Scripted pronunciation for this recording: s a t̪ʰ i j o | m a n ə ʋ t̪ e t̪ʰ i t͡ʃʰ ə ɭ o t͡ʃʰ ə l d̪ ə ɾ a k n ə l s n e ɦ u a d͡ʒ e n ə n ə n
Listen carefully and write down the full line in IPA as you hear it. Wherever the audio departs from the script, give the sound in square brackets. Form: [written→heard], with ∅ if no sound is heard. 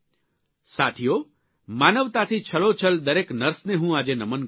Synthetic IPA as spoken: s a t̪ʰ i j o | m a n ə ʋ t̪ [e→a] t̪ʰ i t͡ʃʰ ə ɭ o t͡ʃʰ ə l d̪ ə ɾ [a→e] k n ə [l→ɾ] s n e ɦ [u→ũ] a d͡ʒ e n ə [n→m] ə n